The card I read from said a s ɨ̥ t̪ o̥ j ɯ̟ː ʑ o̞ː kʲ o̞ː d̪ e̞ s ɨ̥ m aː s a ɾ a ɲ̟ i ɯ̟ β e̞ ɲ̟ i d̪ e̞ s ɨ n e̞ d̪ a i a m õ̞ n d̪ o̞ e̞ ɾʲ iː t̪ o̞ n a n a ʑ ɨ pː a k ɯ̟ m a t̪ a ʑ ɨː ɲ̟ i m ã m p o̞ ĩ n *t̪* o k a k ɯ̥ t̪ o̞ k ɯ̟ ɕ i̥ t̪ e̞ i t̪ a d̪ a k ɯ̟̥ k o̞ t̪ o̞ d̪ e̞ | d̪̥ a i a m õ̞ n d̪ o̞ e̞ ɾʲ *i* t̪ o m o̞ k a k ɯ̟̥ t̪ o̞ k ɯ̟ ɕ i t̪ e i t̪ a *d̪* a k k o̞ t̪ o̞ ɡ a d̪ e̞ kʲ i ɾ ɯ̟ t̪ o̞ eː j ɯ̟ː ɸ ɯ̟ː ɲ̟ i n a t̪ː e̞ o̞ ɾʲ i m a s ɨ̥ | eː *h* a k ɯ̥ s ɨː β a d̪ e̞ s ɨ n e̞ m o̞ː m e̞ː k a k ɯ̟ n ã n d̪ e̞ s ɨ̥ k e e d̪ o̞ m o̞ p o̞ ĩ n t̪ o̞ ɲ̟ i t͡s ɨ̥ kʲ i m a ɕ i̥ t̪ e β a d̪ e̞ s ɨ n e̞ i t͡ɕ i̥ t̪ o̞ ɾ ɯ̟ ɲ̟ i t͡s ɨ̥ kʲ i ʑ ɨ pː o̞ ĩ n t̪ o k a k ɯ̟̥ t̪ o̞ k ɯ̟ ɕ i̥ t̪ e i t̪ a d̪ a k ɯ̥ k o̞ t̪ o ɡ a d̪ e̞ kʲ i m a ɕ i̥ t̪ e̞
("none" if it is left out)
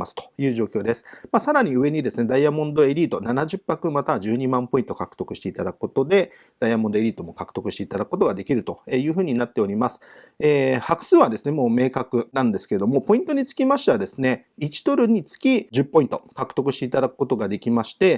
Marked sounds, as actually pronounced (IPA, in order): t̪, iː, d̪, h

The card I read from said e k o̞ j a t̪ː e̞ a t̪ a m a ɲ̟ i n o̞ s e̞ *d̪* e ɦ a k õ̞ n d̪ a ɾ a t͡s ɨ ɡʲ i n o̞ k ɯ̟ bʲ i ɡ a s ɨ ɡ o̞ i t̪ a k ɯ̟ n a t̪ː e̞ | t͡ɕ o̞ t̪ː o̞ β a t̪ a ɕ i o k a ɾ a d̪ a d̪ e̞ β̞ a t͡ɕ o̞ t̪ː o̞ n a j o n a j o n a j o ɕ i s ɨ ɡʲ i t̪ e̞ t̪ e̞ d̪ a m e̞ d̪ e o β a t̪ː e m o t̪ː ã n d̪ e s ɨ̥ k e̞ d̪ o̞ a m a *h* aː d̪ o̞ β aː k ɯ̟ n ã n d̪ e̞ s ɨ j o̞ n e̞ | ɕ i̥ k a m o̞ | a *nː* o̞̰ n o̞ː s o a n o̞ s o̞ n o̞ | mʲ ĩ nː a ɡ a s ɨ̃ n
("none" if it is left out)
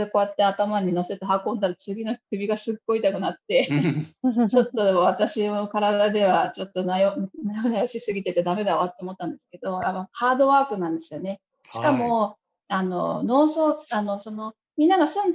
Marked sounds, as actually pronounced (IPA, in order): t̪, h, n

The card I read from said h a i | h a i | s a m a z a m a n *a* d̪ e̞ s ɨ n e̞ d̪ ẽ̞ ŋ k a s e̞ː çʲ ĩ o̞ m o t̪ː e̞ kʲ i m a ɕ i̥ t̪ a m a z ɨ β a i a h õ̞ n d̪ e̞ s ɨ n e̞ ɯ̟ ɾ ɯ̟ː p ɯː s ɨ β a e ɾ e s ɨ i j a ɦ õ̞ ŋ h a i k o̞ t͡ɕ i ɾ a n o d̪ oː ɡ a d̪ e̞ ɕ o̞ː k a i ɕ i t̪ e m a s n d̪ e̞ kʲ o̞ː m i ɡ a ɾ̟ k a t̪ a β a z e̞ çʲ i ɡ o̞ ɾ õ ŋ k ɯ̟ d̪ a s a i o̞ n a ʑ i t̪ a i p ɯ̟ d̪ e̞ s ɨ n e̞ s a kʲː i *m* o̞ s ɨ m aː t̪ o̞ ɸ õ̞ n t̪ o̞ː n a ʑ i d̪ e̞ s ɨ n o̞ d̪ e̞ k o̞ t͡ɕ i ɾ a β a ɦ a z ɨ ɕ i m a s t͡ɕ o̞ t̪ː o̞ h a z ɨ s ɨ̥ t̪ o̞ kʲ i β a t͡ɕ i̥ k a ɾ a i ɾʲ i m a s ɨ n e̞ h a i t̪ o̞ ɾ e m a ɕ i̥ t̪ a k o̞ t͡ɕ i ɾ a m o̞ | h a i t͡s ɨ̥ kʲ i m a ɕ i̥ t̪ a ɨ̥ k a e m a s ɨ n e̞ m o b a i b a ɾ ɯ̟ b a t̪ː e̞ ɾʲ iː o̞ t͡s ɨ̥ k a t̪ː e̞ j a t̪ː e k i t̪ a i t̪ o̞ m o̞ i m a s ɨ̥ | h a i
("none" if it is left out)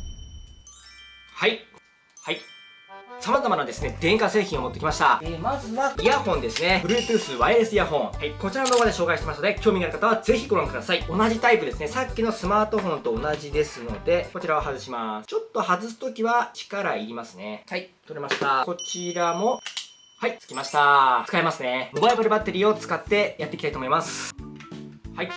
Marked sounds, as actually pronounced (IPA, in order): a, n

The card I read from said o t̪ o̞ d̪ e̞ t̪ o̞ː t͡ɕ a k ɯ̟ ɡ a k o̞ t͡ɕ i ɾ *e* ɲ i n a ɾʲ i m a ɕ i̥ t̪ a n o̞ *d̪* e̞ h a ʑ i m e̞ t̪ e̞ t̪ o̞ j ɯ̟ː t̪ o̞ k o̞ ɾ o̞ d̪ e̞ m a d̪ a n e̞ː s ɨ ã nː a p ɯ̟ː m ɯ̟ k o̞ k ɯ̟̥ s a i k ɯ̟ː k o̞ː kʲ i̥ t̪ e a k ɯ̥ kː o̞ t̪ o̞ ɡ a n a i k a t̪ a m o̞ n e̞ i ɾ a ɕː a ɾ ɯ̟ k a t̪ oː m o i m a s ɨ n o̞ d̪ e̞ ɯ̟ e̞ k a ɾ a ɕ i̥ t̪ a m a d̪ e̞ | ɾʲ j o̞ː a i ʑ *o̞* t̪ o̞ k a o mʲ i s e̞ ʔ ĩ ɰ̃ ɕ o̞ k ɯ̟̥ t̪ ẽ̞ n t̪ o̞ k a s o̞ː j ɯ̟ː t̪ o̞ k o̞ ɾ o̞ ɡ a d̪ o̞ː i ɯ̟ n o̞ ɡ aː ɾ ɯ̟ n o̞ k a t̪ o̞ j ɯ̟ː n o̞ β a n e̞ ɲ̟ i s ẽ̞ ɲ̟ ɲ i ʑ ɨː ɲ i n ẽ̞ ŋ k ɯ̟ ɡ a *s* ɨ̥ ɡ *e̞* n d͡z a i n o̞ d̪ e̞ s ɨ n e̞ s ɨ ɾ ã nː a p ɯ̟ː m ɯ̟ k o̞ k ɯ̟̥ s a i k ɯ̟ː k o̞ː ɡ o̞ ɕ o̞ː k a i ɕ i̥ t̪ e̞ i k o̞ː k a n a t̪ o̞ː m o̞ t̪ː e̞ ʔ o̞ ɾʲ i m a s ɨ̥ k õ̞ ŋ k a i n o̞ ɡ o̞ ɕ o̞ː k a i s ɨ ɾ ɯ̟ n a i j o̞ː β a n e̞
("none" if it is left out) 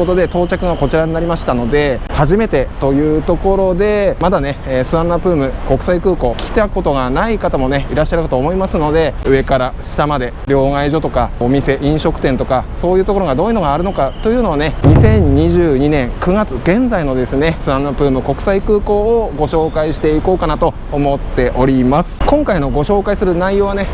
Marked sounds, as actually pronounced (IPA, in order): a, d̪, o̞, t͡s, ẽ̞

